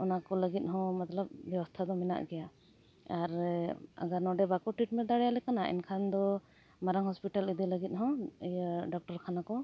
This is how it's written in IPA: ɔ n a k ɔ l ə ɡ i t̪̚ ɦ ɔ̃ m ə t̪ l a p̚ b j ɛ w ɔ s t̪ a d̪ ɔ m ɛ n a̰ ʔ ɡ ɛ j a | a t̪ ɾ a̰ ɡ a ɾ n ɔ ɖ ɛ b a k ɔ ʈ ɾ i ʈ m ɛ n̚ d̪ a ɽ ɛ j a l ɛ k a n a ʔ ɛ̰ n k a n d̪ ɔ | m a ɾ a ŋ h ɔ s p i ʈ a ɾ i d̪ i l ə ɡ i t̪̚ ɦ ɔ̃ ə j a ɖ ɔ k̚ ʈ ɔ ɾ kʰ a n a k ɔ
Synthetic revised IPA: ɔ n a k ɔ l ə ɡ i t̪̚ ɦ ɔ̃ m a t̪ l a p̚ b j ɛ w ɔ s t̪ʰ a d̪ ɔ m ɛ n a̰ ʔ ɡ ɛ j a | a ɾ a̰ ɡ a ɾ n ɔ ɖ ɛ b a k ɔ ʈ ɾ i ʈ m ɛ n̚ d̪ a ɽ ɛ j a l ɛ k a n a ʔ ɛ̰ n kʰ a n d̪ ɔ | m a ɾ a ŋ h ɔ s p i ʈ a l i d̪ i l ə ɡ i t̪̚ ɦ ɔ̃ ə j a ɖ ɔ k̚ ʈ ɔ ɾ kʰ a n a k ɔ